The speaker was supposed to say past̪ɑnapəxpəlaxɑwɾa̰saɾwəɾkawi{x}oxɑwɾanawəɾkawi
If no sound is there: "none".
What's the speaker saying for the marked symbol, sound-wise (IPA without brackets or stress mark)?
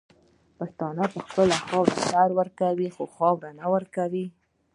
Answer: x